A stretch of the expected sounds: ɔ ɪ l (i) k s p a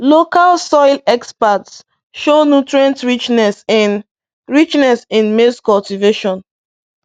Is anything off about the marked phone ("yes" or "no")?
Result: yes